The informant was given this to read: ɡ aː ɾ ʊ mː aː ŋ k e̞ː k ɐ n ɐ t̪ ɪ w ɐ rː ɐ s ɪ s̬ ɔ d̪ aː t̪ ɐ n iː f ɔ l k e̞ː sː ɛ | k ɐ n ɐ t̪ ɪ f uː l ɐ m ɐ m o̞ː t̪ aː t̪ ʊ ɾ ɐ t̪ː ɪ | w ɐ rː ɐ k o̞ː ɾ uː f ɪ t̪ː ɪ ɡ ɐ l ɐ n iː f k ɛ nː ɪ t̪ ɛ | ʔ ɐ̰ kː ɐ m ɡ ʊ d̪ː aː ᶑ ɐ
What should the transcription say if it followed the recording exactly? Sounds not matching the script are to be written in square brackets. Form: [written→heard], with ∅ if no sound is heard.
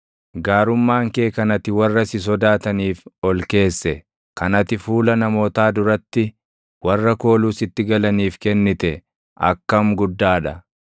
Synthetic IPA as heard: ɡ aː ɾ ʊ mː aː ŋ k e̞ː k ɐ n ɐ t̪ ɪ w ɐ rː ɐ s ɪ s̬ ɔ d̪ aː t̪ ɐ n iː f ɔ l k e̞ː sː ɛ | k ɐ n ɐ t̪ ɪ f uː l ɐ [m→n] ɐ m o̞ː t̪ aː [t̪→d̪] ʊ ɾ ɐ t̪ː ɪ | w ɐ rː ɐ k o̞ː [ɾ→l] uː [f→s] ɪ t̪ː ɪ ɡ ɐ l ɐ n iː f k ɛ nː ɪ t̪ ɛ | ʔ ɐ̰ kː ɐ m ɡ ʊ d̪ː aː ᶑ ɐ